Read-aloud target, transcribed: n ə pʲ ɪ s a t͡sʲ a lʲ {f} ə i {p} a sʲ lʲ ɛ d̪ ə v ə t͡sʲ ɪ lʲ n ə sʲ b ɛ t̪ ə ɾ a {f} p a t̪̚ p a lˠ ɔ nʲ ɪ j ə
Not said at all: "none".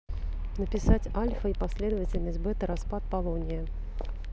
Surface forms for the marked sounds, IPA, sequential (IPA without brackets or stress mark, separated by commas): f, p, s